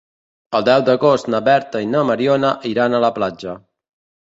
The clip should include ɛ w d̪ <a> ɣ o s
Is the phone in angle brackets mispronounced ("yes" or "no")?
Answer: yes